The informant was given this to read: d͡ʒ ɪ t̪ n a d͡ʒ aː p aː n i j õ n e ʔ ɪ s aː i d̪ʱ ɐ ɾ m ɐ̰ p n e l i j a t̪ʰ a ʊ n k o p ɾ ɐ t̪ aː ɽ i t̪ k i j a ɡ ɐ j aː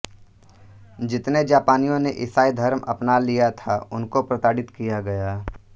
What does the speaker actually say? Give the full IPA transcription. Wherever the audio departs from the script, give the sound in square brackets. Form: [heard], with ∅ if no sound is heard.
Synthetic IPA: d͡ʒ ɪ t̪ n [e] d͡ʒ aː p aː n i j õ n e ʔ ɪ s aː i d̪ʱ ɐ ɾ m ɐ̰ p n [a] l i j a t̪ʰ a ʊ n k o p ɾ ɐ t̪ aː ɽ [ɪ] t̪ k i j a ɡ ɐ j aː

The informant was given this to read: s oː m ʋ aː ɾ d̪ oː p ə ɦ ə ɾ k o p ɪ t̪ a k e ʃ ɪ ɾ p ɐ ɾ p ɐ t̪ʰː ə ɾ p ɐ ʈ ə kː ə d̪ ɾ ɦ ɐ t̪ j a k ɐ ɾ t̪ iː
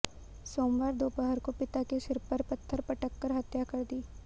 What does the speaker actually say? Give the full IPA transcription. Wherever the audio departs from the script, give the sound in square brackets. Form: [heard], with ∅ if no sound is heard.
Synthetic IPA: s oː m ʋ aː ɾ d̪ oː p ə ɦ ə ɾ k o p ɪ t̪ a k e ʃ ɪ ɾ p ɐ ɾ p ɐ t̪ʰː ə ɾ p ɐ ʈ ə kː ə [∅] ɾ ɦ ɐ t̪ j a k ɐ ɾ [d̪] iː

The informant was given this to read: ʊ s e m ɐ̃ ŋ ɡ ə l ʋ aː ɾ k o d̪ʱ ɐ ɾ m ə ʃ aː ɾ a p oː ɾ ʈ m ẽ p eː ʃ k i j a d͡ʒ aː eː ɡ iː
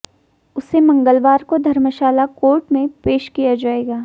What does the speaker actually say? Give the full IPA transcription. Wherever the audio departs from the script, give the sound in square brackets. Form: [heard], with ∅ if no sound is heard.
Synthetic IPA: ʊ s e m ɐ̃ ŋ ɡ ə l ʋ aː ɾ k o d̪ʱ ɐ ɾ m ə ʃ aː [l] a [k] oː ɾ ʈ m ẽ p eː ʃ k i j a d͡ʒ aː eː ɡ [aː]

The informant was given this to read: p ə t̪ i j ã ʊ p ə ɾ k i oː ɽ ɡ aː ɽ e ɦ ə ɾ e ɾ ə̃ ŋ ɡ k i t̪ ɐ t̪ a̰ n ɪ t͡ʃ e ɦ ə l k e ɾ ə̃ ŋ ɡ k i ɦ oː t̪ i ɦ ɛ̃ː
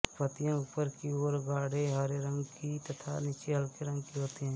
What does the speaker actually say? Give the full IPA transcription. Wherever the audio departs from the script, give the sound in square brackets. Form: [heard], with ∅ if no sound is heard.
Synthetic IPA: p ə t̪ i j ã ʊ p ə ɾ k i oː [ɾ] ɡ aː ɽ e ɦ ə ɾ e ɾ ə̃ ŋ ɡ k i t̪ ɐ [t̪ʰ] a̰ n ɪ t͡ʃ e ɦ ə l k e ɾ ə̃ ŋ ɡ k i ɦ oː t̪ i ɦ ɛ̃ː

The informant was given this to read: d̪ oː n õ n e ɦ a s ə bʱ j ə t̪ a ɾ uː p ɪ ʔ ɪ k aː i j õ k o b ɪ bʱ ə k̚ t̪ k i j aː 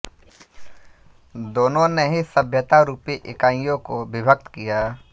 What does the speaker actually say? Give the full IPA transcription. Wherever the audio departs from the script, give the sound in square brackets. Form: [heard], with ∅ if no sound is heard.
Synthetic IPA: d̪ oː n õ n e ɦ [i] s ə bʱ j ə t̪ a ɾ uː p [i] ʔ ɪ k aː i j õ k o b ɪ bʱ ə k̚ t̪ k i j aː

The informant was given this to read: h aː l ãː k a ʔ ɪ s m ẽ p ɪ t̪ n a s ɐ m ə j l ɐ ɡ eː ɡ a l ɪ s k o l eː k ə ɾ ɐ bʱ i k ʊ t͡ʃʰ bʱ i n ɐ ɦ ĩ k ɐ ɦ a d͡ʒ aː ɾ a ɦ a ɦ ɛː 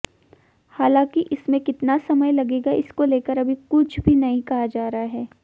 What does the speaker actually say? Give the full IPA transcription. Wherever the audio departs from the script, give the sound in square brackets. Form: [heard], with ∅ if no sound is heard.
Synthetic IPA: h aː l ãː k [i] ʔ ɪ s m ẽ [k] ɪ t̪ n a s ɐ m ə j l ɐ ɡ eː ɡ a [∅] ɪ s k o l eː k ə ɾ ɐ bʱ i k ʊ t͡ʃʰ bʱ i n ɐ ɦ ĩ k ɐ ɦ a d͡ʒ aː ɾ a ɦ a ɦ ɛː

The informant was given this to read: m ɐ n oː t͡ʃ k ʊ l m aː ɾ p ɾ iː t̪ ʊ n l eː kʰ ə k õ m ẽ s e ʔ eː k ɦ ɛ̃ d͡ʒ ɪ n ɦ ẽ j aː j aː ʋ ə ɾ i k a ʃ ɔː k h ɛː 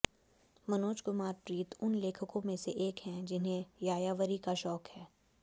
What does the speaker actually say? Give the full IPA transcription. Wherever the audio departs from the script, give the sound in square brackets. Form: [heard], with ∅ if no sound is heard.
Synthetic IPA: m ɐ n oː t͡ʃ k ʊ [∅] m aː ɾ p ɾ iː t̪ ʊ n l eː kʰ ə k õ m ẽ s e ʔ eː k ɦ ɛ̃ d͡ʒ ɪ n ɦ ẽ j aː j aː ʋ ə ɾ i k a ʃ ɔː k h ɛː

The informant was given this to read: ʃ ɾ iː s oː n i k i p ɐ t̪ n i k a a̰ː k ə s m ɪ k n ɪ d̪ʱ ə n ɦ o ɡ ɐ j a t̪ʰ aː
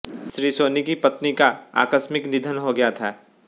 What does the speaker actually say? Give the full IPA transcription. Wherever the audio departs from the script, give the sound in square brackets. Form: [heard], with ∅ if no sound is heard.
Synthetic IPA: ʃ ɾ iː s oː n i k i p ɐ t̪ n i k a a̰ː k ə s m ɪ k n ɪ d̪ʱ ə n ɦ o ɡ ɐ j a t̪ʰ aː

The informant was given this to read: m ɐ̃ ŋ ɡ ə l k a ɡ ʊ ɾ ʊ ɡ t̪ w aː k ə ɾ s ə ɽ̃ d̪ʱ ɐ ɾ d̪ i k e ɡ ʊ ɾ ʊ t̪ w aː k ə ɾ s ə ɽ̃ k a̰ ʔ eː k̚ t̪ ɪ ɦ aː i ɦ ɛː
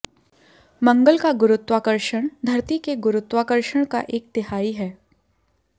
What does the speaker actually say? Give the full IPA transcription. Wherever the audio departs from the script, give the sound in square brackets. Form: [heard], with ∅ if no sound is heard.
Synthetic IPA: m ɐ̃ ŋ ɡ ə l k a ɡ ʊ ɾ ʊ [∅] t̪ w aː k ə ɾ [ʃ] ə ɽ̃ d̪ʱ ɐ ɾ [t̪] i k e ɡ ʊ ɾ ʊ t̪ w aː k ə ɾ [ʃ] ə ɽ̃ k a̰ ʔ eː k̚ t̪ ɪ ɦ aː i ɦ ɛː

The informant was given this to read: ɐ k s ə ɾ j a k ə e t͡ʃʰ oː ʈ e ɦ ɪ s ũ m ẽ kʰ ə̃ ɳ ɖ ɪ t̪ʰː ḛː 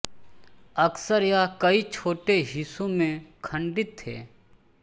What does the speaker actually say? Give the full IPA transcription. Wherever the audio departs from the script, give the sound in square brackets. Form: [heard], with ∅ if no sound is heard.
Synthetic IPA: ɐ k s ə ɾ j a k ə [i] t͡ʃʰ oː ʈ e ɦ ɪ s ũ m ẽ kʰ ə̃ ɳ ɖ ɪ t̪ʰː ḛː

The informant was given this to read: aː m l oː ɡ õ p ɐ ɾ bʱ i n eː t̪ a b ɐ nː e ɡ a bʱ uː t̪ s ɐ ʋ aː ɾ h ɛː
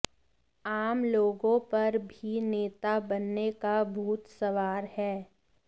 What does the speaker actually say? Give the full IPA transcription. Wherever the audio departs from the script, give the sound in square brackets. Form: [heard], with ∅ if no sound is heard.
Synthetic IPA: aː m l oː ɡ õ p ɐ ɾ bʱ i n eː t̪ a b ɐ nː e [k] a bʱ uː t̪ s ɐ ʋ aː ɾ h ɛː

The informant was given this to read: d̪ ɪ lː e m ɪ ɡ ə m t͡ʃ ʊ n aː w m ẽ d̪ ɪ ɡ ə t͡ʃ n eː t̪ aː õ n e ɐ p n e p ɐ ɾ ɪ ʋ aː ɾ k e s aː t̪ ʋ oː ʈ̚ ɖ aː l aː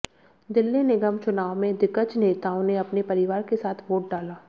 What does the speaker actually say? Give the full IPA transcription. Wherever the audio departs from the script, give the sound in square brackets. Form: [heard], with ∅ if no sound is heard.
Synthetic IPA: d̪ ɪ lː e [n] ɪ ɡ ə m t͡ʃ ʊ n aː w m ẽ d̪ ɪ [k] ə t͡ʃ n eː t̪ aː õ n e ɐ p n e p ɐ ɾ ɪ ʋ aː ɾ k e s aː [t̪ʰ] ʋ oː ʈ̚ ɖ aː l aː

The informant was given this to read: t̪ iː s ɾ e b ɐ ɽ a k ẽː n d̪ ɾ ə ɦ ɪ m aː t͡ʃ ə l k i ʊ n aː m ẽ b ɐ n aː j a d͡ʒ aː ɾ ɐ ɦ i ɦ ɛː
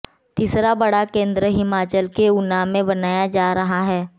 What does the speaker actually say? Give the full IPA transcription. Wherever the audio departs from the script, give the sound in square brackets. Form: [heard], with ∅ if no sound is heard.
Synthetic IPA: t̪ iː s ɾ [a] b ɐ ɽ a k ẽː n d̪ ɾ ə ɦ ɪ m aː t͡ʃ ə l k [e] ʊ n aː m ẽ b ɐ n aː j a d͡ʒ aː ɾ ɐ ɦ [a] ɦ ɛː

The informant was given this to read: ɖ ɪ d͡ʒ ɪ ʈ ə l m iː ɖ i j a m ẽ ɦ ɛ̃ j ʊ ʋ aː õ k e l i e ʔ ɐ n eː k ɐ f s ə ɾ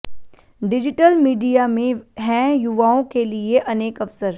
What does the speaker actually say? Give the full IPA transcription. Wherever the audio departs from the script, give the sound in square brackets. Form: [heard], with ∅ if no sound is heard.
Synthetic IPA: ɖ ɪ d͡ʒ ɪ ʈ ə l m iː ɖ i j a m ẽ ɦ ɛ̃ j ʊ ʋ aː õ k e l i e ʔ ɐ n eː k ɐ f s ə ɾ

